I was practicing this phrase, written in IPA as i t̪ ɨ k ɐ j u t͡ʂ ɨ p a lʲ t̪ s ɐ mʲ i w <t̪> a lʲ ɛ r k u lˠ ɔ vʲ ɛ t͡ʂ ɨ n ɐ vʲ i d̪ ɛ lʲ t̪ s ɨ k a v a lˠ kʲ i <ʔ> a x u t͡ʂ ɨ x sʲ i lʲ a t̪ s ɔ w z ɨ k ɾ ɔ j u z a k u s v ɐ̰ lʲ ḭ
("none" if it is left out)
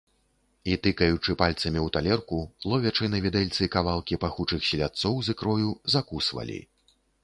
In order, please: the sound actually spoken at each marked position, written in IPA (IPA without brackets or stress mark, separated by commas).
t̪, p